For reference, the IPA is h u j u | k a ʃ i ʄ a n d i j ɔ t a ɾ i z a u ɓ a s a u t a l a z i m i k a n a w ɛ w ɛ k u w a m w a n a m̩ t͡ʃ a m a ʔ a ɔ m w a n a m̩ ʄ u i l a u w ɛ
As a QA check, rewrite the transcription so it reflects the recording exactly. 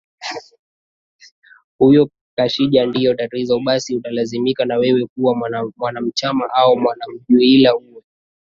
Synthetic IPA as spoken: h u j ɔ | k a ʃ i ʄ a n d i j ɔ t a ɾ i z a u ɓ a s i u t a l a z i m i k a n a w ɛ w ɛ k u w a m w a n a m̩ t͡ʃ a m a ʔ a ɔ m w a n a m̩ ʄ u i l a u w ɛ